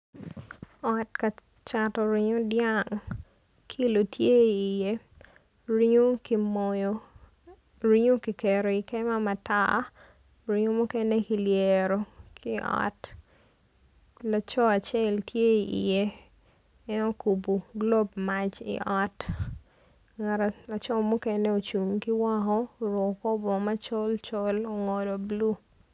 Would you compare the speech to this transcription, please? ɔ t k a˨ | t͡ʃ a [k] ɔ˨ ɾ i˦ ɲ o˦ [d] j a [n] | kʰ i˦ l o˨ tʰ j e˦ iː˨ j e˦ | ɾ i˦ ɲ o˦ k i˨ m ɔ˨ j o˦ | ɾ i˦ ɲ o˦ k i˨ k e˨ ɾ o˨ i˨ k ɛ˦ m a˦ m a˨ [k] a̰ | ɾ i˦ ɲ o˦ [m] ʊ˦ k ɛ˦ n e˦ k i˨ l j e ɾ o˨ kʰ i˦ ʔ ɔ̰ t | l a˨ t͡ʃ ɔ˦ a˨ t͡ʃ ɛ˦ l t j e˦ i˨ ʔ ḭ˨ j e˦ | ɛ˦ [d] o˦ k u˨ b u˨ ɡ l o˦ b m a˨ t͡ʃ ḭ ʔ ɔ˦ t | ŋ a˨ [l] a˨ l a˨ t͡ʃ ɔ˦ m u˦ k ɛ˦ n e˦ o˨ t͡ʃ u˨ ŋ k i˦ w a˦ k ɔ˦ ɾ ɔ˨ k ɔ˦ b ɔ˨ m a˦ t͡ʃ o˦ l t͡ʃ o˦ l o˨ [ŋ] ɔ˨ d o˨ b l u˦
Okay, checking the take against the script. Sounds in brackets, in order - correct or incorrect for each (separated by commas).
incorrect, correct, incorrect, incorrect, correct, incorrect, incorrect, correct